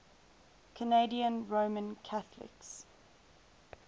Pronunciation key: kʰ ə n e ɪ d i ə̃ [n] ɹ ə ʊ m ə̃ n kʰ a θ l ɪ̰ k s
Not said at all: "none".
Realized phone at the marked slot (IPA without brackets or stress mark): n